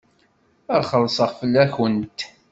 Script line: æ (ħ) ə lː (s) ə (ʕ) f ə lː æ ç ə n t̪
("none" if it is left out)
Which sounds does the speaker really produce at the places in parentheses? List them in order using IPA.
χ, s, ʁ

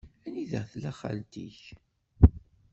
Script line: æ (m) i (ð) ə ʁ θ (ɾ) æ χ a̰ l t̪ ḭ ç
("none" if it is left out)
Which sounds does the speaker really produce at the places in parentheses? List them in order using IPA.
n, ð, l

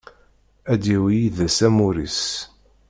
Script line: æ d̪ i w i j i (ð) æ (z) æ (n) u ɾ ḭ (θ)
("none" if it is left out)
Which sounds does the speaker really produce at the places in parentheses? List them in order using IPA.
ð, s, m, s

